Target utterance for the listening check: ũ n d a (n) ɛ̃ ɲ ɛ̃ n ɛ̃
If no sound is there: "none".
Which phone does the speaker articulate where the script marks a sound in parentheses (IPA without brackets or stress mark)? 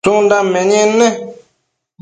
m